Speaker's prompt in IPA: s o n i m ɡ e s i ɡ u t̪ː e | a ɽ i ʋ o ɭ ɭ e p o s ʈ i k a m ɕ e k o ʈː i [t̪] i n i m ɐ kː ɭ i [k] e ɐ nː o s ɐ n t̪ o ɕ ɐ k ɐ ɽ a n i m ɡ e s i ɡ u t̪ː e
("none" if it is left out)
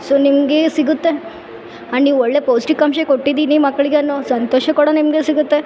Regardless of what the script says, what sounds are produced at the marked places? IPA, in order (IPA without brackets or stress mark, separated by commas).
d̪, ɡ